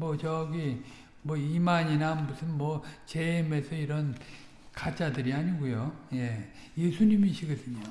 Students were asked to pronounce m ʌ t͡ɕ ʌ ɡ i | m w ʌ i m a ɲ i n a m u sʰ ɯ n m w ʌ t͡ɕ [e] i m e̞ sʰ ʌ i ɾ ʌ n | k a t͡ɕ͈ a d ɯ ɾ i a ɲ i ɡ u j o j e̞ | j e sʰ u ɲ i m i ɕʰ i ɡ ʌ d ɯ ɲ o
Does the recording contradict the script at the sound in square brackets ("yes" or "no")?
no